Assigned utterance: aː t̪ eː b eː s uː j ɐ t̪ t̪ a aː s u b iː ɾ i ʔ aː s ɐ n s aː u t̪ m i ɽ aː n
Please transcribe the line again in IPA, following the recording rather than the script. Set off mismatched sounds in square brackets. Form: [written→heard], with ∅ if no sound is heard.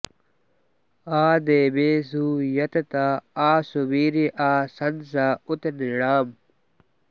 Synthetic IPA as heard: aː [t̪→d̪] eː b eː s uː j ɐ t̪ t̪ a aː s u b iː ɾ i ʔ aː s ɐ n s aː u t̪ [m→n] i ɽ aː [n→m]